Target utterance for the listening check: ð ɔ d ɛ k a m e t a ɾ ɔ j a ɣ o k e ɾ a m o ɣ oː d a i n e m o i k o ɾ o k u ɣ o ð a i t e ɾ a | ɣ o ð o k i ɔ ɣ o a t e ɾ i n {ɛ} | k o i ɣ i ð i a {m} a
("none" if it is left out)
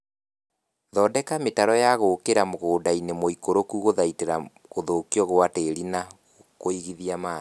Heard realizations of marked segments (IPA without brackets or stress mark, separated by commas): a, m